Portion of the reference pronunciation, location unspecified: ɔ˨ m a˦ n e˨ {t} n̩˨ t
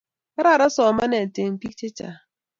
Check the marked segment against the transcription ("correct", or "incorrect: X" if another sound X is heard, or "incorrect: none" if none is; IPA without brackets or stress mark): incorrect: none